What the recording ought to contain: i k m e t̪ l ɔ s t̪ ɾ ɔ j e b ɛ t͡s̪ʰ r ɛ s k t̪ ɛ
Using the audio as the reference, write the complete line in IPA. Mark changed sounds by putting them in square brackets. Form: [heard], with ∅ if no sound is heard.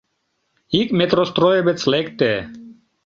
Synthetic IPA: i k m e t̪ [ɾ] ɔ s t̪ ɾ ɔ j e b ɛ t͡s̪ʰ [l] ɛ [∅] k t̪ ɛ